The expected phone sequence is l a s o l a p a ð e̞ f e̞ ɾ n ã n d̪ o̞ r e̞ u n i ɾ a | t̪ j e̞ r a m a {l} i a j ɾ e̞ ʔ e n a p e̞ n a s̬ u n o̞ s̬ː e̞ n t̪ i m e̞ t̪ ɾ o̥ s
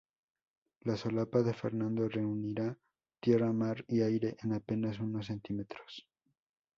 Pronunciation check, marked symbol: incorrect: ɾ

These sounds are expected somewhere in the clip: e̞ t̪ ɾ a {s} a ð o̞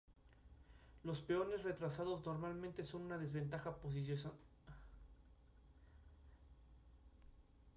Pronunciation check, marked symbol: correct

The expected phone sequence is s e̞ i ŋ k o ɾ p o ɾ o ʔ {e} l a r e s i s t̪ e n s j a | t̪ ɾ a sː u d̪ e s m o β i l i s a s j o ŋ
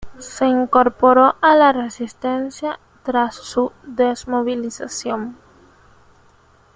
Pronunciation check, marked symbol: incorrect: a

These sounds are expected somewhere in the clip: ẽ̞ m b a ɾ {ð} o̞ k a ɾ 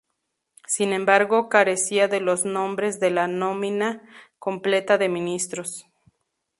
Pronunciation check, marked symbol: incorrect: ɣ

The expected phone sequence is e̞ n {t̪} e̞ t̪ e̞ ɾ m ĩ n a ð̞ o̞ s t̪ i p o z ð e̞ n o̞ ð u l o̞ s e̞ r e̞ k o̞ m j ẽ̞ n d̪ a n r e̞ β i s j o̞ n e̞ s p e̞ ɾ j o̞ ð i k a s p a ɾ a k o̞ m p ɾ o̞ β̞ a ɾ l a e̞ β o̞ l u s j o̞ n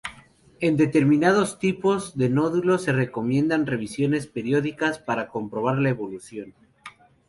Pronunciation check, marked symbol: incorrect: d̪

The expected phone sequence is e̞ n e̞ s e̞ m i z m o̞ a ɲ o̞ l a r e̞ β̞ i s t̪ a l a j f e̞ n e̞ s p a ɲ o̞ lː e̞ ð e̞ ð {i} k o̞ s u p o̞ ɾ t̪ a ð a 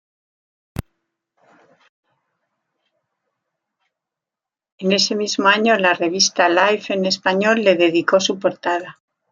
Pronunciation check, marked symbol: correct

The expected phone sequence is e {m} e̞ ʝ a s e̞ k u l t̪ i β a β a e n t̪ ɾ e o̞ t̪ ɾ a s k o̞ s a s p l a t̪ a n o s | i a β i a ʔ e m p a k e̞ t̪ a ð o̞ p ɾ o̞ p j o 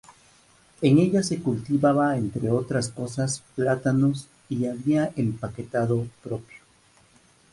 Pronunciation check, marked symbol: incorrect: ŋ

